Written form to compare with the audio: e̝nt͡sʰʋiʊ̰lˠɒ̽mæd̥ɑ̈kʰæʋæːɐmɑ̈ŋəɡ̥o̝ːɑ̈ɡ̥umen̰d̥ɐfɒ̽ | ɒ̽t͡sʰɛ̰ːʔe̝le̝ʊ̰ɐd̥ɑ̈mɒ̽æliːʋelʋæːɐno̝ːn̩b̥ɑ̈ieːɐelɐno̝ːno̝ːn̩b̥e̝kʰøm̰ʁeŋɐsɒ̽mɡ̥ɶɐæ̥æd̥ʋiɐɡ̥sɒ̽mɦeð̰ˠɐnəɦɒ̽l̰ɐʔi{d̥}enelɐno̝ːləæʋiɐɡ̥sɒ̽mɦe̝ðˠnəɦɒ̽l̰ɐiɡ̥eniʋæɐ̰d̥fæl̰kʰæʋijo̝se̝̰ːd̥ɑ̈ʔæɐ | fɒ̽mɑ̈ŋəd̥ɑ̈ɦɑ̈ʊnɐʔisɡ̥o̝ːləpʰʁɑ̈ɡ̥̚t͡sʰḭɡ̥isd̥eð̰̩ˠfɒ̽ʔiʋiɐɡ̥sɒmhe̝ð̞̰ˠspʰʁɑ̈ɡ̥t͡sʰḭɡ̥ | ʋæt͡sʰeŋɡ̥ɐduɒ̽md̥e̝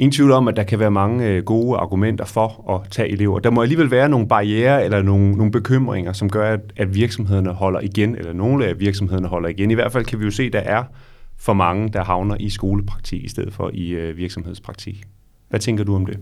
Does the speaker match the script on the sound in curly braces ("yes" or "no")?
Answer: no